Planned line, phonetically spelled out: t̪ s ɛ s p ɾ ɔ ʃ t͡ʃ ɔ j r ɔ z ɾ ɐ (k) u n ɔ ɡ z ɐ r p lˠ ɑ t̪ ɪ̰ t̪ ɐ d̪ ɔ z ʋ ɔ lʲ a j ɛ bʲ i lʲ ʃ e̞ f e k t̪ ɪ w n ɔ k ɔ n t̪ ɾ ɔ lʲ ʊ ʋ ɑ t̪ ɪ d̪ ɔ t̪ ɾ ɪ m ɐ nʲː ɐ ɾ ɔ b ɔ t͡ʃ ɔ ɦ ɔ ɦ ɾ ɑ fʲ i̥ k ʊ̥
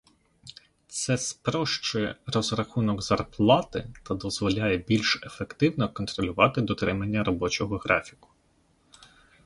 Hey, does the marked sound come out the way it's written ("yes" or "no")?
no